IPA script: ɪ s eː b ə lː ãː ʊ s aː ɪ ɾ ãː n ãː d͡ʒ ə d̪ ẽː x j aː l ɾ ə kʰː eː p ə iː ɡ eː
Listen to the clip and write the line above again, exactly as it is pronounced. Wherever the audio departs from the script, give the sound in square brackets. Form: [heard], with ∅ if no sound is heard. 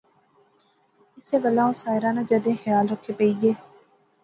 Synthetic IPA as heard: ɪ s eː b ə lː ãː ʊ s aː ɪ ɾ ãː n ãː d͡ʒ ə d̪ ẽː x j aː l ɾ ə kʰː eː p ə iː ɡ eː